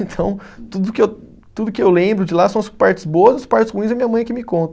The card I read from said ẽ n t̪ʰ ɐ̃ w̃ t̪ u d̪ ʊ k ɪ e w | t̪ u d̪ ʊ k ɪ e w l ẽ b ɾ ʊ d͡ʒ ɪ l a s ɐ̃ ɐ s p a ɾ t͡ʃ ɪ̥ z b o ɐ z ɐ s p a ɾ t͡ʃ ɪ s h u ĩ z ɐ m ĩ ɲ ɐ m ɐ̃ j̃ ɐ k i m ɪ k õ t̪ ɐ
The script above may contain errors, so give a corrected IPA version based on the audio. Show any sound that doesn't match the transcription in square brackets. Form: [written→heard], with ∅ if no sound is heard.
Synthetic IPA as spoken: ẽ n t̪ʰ ɐ̃ w̃ t̪ u d̪ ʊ k ɪ e w | t̪ u d̪ ʊ k ɪ e w l ẽ b ɾ ʊ d͡ʒ ɪ l a s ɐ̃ ɐ s p a ɾ t͡ʃ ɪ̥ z b o ɐ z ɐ s p a ɾ t͡ʃ ɪ s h u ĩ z ɐ m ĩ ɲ ɐ m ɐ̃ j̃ ɐ k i m ɪ k õ t̪ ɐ